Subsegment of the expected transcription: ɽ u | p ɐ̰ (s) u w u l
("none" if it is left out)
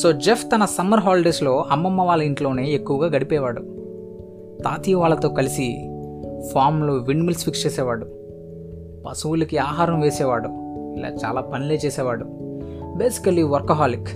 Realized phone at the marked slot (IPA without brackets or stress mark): s